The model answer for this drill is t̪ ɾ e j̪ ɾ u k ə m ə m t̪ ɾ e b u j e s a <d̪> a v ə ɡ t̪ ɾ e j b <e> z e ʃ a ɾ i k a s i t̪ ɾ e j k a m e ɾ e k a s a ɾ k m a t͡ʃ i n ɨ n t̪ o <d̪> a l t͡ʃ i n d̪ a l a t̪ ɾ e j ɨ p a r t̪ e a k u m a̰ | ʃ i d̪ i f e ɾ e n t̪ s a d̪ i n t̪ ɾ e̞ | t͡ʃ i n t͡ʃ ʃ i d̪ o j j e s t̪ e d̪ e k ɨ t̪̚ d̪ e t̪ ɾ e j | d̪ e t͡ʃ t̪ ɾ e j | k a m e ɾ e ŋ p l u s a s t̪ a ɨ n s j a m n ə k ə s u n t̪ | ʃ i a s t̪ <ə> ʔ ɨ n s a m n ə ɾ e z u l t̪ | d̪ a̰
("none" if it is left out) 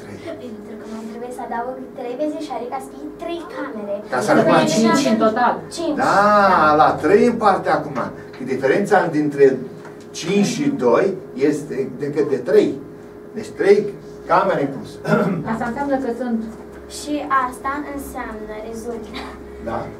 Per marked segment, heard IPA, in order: d̪, e, t̪, a

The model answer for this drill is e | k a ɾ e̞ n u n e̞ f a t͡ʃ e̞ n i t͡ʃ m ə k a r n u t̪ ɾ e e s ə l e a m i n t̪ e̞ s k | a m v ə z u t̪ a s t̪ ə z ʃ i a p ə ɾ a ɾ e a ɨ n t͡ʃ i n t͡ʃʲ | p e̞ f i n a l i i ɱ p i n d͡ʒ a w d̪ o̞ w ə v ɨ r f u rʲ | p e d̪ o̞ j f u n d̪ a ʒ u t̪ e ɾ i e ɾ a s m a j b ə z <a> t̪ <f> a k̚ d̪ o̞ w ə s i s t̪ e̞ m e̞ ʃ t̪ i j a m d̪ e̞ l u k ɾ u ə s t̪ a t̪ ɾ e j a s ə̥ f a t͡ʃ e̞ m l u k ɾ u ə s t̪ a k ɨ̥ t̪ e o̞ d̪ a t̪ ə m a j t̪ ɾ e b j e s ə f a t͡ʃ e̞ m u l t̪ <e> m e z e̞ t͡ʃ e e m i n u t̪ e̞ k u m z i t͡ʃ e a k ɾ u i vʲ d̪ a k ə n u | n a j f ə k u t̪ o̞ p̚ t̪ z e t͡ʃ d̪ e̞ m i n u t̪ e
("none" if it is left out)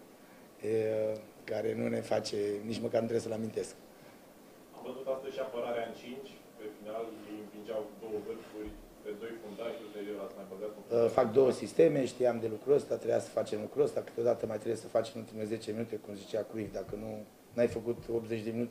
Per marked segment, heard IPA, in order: a, f, i

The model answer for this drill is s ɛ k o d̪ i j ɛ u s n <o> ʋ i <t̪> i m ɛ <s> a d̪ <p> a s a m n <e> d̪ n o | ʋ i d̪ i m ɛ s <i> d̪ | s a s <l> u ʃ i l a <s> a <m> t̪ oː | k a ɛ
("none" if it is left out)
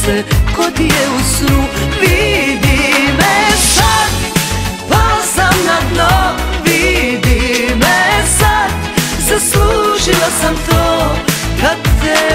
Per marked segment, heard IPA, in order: u, d̪, s, p, a, a, l, s, m

